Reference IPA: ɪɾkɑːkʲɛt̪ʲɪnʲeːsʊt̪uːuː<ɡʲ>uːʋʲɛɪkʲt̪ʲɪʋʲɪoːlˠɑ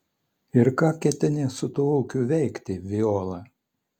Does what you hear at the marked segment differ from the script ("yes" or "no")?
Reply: yes